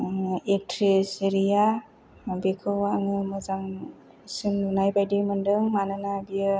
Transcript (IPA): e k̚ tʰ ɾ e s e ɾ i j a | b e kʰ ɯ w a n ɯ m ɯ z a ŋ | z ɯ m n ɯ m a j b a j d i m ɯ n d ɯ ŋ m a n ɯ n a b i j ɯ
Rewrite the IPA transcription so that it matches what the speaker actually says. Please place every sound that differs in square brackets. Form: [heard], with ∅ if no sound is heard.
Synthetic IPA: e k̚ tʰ ɾ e s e ɾ i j a | b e kʰ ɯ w a [ŋ] ɯ m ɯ z a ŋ | [s] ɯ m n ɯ [n] a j b a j d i m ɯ n d ɯ ŋ m a n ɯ n a b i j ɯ